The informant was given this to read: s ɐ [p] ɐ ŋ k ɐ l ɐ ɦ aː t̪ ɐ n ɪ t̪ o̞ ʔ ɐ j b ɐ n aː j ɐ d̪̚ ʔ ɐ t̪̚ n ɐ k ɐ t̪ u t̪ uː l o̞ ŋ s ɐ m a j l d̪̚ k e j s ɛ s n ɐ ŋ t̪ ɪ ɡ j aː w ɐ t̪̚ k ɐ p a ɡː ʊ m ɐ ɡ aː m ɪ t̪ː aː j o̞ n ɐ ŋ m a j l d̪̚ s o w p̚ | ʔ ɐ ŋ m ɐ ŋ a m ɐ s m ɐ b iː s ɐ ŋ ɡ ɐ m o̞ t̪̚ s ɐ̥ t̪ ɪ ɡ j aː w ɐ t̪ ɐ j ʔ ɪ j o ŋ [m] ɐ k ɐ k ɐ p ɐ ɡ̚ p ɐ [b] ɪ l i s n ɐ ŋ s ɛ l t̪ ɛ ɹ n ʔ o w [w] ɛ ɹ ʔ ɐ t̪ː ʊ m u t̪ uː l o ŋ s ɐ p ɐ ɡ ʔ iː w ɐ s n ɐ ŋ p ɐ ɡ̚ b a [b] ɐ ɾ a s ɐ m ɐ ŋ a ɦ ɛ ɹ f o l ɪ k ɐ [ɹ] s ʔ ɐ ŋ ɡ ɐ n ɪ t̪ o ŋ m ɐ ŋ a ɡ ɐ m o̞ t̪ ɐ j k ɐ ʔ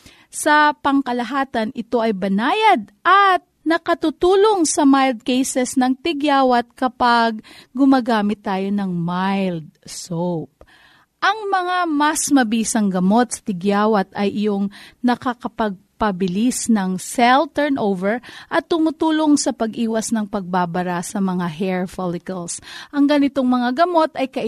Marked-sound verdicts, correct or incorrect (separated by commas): correct, incorrect, correct, incorrect, correct, incorrect